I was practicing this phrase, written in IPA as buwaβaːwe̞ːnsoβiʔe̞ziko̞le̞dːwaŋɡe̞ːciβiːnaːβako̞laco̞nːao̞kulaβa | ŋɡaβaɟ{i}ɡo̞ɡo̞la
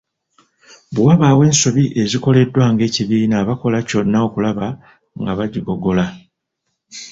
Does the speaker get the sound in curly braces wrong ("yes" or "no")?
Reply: no